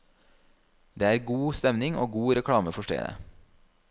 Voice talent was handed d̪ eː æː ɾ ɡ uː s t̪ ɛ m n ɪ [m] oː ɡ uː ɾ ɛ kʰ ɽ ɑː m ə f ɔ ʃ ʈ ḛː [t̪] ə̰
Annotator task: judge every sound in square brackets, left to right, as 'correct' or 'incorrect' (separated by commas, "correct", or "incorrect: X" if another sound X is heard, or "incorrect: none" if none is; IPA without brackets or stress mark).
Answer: incorrect: ŋ, incorrect: d̪